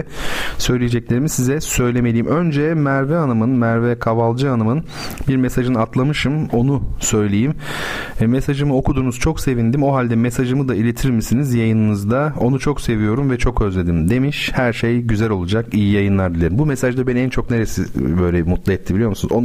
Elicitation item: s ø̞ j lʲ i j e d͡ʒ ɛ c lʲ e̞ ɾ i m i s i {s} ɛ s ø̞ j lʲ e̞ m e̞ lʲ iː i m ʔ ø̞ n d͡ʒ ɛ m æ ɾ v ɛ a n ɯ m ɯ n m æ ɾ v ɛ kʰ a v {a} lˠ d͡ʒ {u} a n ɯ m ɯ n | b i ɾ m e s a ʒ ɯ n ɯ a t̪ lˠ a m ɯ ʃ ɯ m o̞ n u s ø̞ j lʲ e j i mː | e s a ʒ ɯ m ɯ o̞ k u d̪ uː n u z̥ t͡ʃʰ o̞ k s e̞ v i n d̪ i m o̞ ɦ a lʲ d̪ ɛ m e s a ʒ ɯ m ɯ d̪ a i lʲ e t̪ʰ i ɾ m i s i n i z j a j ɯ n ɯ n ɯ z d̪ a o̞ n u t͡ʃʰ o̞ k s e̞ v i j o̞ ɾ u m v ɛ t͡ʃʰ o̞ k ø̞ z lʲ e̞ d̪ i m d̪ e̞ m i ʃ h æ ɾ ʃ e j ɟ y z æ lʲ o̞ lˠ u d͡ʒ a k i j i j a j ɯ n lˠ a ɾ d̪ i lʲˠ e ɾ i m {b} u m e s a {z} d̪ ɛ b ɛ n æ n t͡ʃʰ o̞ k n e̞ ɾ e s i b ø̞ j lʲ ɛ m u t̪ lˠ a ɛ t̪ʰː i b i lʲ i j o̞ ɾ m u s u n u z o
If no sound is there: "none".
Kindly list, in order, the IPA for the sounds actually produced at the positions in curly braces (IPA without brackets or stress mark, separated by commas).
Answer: z, a, ɯ, b, ʒ